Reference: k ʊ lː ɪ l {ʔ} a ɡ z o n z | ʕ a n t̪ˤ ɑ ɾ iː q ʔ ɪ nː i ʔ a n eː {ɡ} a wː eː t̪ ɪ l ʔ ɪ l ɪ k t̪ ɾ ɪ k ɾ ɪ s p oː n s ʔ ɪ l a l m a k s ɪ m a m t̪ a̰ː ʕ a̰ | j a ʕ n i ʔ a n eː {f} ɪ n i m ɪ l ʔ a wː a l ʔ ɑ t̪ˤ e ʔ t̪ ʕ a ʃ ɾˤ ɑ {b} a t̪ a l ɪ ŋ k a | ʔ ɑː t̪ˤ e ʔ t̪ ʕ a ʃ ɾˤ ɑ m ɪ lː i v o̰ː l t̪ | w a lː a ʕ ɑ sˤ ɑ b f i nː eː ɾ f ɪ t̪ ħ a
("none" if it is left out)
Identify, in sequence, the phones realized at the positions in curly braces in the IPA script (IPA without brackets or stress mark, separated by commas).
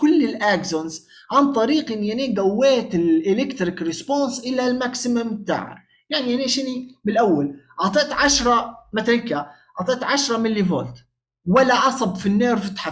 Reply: ʔ, ɡ, ʃ, m